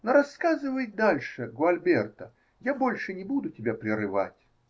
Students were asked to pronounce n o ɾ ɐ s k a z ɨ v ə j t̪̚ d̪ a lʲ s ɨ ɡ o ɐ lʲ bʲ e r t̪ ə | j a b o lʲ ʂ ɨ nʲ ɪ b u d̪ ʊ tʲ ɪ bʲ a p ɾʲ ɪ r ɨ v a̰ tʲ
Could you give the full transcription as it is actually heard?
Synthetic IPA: n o ɾ ɐ s k a z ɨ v ə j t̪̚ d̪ a lʲ ʂ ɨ ɡ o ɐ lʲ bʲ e r t̪ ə | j a b o lʲ ʂ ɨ nʲ ɪ b u d̪ ʊ tʲ ɪ bʲ a p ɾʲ ɪ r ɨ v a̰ tʲ